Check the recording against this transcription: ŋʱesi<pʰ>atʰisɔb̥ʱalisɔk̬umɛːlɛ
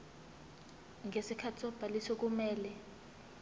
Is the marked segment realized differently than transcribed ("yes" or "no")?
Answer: yes